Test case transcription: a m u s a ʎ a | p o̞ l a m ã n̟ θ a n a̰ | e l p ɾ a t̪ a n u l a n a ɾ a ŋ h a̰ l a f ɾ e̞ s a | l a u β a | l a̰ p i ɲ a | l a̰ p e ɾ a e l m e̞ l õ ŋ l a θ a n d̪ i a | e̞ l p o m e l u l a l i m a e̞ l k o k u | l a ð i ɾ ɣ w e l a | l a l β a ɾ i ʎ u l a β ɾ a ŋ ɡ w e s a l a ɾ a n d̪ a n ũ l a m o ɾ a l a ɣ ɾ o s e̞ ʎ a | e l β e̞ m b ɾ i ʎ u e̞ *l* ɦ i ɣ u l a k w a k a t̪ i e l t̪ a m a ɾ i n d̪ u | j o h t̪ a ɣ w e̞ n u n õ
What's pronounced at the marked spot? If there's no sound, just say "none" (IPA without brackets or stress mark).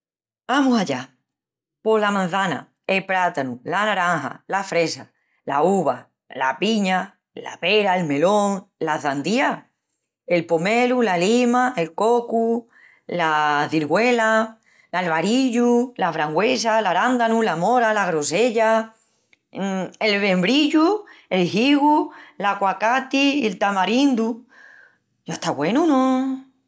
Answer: l